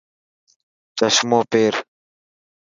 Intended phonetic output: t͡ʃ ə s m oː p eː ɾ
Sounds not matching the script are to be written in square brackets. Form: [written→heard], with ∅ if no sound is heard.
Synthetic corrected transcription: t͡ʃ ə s m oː p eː ɾ